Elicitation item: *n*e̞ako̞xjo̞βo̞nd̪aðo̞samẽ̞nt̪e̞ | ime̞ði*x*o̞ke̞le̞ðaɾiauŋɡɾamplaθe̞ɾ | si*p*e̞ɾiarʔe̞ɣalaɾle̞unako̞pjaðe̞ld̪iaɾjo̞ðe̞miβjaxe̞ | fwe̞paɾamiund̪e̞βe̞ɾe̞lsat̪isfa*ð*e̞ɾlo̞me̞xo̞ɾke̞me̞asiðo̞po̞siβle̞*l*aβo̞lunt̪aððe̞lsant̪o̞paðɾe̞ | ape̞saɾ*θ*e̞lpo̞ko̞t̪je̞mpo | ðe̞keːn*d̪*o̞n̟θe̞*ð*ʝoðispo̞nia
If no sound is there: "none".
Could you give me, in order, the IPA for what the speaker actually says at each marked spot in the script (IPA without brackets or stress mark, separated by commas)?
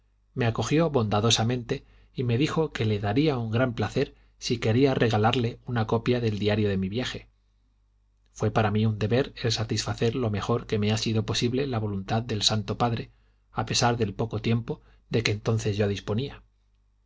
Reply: m, x, k, θ, l, ð, t̪, z